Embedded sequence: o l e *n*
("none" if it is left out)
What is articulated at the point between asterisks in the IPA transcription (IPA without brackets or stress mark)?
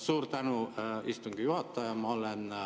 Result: n